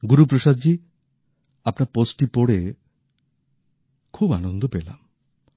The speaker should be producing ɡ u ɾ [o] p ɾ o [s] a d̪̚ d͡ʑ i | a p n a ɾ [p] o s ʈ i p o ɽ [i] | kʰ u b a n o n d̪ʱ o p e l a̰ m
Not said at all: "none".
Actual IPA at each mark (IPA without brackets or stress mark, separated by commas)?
u, ʃ, p, e